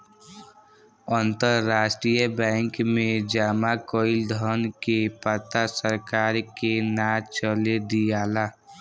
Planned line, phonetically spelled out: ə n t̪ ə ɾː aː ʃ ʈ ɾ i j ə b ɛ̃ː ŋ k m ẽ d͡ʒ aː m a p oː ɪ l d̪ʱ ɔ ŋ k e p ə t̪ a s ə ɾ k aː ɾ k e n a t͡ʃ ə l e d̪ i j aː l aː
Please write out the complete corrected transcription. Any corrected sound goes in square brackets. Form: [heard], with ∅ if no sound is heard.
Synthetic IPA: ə n t̪ ə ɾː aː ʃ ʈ ɾ i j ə b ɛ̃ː ŋ k m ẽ d͡ʒ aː m a [k] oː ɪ l d̪ʱ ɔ [n] k e p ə t̪ a s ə ɾ k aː ɾ k e n a t͡ʃ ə l e d̪ i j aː l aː